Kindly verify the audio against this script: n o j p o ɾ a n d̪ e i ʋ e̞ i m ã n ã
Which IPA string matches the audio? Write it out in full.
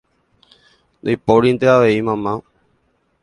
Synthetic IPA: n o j p o ɾ i n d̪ e a ʋ e̞ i m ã m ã